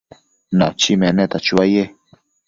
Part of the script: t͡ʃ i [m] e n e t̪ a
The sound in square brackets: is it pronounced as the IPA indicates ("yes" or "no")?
yes